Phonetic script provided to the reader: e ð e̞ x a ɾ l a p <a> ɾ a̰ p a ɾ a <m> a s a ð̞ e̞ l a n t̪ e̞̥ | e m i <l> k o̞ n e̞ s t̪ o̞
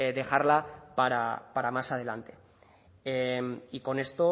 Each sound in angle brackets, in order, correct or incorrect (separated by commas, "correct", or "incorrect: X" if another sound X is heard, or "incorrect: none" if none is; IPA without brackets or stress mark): correct, correct, incorrect: none